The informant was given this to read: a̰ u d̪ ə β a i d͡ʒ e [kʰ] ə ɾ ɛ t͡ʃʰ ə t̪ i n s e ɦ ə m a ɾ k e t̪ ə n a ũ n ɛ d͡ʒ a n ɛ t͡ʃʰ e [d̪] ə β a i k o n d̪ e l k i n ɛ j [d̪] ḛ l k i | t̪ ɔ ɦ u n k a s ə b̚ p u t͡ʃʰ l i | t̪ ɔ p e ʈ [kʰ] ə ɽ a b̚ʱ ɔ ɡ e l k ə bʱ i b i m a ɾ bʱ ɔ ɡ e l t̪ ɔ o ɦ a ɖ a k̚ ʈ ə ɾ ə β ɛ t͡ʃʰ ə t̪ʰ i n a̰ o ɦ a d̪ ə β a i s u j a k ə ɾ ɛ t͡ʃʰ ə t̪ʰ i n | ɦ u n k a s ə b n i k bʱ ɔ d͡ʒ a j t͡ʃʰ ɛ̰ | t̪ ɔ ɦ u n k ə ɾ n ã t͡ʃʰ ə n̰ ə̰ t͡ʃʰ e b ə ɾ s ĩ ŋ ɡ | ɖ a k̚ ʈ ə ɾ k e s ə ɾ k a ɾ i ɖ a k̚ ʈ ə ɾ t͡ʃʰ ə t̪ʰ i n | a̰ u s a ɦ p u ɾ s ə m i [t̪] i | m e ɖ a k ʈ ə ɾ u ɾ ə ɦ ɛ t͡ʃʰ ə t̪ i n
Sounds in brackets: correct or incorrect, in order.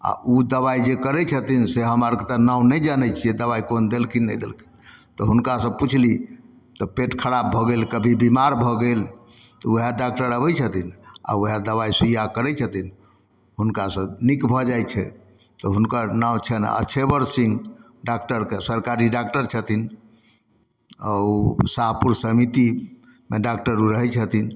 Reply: incorrect, correct, correct, correct, correct

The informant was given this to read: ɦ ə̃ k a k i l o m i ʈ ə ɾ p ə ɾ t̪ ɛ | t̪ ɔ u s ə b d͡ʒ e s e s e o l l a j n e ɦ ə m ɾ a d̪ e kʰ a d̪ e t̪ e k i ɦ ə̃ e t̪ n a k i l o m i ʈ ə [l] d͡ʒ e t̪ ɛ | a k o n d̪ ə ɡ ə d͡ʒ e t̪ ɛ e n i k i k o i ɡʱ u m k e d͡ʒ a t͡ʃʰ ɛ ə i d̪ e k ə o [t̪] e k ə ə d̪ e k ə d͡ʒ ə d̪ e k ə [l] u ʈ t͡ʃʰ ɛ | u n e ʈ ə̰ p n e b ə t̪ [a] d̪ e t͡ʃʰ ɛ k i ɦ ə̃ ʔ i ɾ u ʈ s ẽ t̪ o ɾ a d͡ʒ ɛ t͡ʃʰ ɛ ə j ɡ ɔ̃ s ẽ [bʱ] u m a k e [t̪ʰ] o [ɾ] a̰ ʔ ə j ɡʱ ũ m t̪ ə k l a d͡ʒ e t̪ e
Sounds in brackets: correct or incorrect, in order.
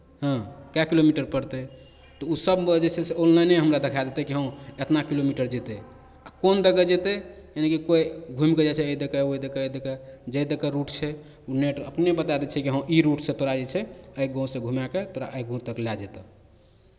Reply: incorrect, incorrect, incorrect, correct, incorrect, incorrect, correct

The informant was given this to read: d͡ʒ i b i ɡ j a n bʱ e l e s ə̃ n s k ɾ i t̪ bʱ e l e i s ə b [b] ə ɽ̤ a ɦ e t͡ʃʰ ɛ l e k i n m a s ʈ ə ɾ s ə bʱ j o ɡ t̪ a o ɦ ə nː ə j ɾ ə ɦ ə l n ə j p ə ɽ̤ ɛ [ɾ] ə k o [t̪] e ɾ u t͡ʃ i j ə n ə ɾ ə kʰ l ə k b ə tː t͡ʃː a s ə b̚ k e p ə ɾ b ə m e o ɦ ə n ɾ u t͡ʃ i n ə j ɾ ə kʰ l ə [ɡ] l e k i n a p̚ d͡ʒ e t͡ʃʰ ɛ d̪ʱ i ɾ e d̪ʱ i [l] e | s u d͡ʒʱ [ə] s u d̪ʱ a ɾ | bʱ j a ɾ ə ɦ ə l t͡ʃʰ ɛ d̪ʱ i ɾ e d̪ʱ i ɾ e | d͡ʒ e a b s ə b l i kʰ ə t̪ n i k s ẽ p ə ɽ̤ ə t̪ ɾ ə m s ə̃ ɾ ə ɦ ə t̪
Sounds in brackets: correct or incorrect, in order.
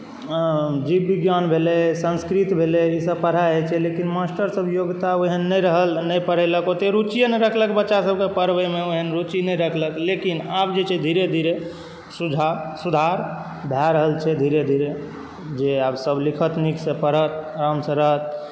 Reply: incorrect, incorrect, correct, incorrect, incorrect, incorrect

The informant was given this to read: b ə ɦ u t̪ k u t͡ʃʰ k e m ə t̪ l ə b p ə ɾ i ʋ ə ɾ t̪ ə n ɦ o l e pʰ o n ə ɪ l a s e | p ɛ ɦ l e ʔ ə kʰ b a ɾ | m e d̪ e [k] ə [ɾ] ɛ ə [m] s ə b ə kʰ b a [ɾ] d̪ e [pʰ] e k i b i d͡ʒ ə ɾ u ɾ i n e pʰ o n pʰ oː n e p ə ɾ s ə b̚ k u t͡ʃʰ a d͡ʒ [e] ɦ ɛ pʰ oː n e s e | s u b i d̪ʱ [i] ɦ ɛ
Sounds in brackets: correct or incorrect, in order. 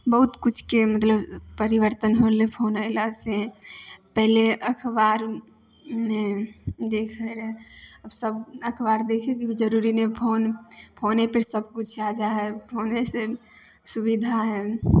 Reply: incorrect, correct, incorrect, correct, incorrect, incorrect, incorrect

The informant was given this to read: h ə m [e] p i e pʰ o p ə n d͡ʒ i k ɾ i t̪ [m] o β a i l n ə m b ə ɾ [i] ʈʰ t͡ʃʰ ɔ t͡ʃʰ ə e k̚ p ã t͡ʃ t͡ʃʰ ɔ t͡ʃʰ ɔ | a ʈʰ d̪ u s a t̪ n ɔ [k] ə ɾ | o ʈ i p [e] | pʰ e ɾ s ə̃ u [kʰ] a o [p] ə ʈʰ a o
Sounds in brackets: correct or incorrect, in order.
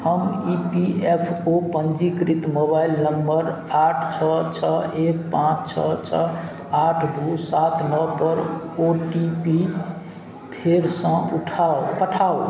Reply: incorrect, correct, incorrect, incorrect, incorrect, incorrect, correct

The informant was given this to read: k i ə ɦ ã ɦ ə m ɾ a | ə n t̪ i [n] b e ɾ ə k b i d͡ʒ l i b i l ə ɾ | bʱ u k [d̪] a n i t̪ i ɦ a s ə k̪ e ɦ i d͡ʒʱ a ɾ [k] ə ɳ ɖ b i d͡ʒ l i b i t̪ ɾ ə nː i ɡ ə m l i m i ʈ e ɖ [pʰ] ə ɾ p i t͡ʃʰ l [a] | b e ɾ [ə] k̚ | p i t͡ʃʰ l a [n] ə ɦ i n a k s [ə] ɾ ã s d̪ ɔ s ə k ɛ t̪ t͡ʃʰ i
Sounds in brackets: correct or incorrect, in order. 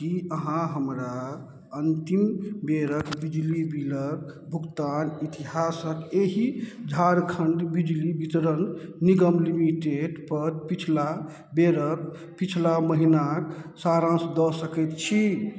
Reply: incorrect, incorrect, incorrect, incorrect, correct, correct, incorrect, incorrect

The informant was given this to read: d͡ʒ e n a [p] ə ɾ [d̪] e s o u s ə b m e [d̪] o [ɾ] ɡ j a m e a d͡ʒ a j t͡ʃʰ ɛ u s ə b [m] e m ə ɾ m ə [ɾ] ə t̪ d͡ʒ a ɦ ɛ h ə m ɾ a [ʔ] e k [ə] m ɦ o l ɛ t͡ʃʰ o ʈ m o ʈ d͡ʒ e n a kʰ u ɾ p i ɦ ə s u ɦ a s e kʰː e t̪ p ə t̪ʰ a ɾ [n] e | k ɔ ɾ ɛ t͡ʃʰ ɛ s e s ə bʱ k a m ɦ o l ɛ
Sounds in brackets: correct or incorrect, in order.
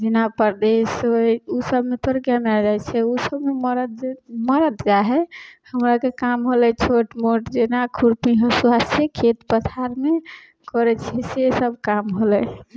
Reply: correct, correct, incorrect, correct, correct, correct, incorrect, incorrect, incorrect

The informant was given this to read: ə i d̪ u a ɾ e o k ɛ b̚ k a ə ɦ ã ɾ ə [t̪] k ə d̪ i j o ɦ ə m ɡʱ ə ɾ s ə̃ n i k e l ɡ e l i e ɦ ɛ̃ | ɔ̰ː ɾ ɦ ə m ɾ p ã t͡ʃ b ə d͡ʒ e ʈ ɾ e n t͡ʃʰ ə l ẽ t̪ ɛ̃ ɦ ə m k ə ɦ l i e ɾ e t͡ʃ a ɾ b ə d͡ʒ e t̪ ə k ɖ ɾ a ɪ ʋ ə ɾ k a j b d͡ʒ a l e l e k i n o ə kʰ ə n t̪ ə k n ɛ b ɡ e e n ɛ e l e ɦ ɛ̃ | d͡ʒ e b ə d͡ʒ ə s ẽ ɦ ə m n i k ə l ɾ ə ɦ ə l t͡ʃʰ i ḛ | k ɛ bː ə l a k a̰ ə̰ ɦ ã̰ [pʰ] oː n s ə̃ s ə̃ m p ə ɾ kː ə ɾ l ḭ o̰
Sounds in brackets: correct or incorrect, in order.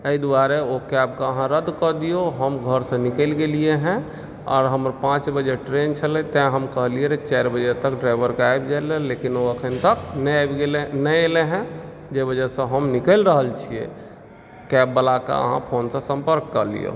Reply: incorrect, correct

